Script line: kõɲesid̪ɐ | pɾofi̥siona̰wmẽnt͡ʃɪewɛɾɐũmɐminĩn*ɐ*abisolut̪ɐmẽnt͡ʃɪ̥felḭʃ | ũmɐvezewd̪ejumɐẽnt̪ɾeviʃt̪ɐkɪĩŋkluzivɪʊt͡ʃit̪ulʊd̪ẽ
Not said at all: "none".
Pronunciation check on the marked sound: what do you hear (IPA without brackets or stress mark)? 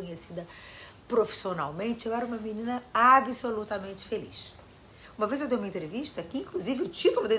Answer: ɐ